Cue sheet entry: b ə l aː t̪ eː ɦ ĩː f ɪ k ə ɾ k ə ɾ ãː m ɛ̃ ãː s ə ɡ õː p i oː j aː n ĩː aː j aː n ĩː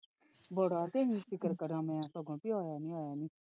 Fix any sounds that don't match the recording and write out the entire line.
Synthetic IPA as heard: b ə ɽ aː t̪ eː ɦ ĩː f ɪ k ə ɾ k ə ɾ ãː m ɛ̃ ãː s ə ɡ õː p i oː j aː n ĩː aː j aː n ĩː